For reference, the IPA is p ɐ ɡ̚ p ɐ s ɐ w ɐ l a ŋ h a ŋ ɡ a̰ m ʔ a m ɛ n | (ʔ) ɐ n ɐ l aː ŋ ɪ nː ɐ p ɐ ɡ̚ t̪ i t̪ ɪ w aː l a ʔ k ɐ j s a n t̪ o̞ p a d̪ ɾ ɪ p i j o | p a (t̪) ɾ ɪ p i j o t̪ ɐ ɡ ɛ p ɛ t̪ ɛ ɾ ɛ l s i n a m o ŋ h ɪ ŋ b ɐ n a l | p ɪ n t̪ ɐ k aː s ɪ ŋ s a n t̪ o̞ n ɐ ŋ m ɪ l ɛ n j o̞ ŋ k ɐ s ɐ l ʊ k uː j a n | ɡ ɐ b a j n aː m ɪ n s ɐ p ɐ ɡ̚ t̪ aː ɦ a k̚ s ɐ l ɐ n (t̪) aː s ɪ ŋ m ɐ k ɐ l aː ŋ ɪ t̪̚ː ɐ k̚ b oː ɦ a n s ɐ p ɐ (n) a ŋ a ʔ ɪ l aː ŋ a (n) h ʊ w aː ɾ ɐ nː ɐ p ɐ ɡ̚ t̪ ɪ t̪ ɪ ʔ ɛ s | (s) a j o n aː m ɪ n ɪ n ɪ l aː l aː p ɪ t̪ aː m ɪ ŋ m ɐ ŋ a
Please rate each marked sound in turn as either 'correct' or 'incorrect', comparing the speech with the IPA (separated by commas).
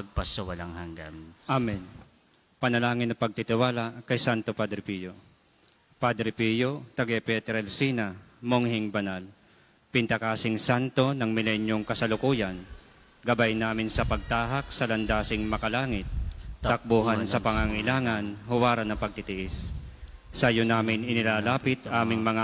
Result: incorrect, incorrect, incorrect, incorrect, correct, correct